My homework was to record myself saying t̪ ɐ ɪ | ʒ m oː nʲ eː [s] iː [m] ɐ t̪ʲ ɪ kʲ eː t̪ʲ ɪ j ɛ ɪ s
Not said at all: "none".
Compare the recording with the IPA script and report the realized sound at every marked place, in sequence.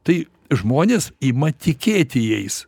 s, m

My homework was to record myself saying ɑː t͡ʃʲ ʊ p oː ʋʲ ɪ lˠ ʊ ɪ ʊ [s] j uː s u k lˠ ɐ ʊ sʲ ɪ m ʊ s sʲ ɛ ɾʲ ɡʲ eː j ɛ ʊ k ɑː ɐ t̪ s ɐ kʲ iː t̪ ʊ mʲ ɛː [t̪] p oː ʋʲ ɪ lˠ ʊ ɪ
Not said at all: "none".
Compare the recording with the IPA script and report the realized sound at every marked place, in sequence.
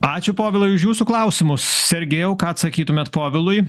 ʃ, t̪

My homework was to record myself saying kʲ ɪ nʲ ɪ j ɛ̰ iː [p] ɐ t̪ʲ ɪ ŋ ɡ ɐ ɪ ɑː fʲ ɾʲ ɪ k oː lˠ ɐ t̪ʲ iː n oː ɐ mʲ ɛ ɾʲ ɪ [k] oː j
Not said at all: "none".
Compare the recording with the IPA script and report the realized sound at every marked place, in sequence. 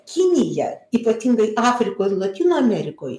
p, k

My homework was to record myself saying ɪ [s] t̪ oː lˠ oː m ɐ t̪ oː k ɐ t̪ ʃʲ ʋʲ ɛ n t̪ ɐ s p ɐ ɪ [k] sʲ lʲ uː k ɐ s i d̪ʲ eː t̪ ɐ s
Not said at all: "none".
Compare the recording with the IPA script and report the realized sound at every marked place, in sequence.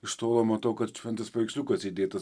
ʃ, k

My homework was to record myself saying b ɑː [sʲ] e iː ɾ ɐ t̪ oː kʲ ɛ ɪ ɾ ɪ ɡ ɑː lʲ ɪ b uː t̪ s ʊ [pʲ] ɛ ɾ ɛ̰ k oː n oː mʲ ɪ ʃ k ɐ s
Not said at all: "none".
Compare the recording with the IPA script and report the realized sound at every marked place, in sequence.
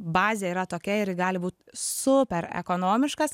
zʲ, pʲ

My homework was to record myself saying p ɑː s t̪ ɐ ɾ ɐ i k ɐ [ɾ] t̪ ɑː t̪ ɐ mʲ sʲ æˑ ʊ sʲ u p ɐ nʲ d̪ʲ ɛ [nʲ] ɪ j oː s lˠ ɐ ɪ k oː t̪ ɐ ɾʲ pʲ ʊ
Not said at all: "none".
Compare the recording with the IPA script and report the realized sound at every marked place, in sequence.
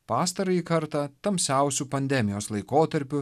ɾ, mʲ

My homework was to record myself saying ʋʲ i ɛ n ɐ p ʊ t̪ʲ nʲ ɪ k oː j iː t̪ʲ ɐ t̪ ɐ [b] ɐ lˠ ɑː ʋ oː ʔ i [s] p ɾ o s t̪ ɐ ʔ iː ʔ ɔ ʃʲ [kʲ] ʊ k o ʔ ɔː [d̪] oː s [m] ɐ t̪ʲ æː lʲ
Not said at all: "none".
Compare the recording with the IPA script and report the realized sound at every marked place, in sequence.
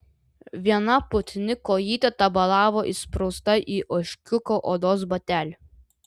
b, s, kʲ, d̪, b

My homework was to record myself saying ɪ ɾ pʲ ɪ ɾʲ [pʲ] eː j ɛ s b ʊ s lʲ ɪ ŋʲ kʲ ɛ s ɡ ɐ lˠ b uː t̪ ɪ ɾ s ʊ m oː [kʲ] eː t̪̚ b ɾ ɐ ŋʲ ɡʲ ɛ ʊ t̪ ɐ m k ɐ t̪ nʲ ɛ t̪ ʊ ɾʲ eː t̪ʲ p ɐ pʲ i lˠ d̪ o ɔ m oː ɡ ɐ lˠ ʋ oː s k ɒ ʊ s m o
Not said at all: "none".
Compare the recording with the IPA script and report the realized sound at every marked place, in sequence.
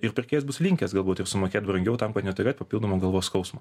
kʲ, kʲ

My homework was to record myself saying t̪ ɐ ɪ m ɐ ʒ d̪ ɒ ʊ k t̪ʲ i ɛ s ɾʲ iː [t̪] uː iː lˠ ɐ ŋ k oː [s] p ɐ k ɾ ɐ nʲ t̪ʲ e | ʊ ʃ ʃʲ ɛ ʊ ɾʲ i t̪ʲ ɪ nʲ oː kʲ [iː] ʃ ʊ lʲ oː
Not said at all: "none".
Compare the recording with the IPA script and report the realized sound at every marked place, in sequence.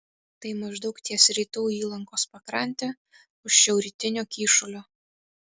t̪, s, iː

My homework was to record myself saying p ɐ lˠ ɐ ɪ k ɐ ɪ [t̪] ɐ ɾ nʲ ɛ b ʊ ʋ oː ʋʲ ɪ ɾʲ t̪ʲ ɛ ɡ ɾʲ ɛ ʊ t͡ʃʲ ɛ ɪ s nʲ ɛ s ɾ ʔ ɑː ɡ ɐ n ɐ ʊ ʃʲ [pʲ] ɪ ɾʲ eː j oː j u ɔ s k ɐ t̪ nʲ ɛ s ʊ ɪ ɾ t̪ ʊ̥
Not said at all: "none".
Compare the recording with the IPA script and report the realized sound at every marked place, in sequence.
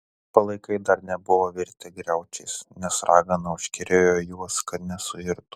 d̪, kʲ

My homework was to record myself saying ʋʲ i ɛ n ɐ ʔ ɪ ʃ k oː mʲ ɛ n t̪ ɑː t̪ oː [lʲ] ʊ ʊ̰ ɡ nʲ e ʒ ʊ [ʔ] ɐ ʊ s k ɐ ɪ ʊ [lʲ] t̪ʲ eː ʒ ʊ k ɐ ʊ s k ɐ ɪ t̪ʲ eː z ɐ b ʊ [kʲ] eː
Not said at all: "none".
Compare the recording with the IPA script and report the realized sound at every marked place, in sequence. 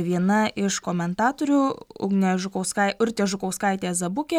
ɾʲ, k, ɾʲ, kʲ

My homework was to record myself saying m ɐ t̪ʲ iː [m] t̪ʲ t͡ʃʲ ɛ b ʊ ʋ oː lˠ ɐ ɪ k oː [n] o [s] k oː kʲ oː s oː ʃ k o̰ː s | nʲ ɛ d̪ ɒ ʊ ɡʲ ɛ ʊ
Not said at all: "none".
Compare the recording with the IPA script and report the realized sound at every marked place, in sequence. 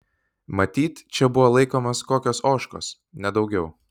none, m, s

